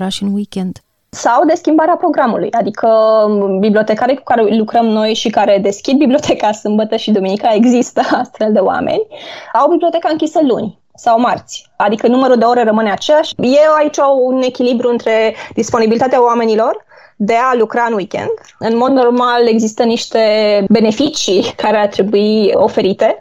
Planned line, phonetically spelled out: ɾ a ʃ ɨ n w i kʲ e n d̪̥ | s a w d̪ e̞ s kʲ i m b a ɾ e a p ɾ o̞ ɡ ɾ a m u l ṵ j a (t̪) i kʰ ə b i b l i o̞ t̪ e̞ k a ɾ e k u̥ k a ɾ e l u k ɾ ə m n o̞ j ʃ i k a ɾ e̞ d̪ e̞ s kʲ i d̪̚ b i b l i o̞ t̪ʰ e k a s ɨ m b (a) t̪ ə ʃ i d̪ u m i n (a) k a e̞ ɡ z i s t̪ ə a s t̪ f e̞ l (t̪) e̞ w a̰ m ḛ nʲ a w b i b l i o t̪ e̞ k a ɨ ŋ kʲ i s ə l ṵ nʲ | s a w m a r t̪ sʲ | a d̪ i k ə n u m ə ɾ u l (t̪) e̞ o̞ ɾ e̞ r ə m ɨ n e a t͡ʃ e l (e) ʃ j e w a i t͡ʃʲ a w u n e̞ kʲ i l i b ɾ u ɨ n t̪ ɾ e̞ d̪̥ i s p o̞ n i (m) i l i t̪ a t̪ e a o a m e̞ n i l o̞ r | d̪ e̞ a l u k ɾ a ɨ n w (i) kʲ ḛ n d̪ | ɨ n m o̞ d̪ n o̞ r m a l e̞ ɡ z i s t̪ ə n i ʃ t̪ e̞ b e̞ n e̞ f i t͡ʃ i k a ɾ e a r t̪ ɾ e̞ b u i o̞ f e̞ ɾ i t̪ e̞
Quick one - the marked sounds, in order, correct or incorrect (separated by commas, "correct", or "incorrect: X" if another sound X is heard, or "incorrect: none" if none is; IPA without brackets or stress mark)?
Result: incorrect: d̪, incorrect: ə, incorrect: i, incorrect: d̪, incorrect: d̪, incorrect: a, incorrect: b, correct